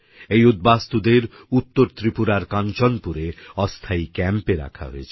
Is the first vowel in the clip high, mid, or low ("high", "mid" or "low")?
mid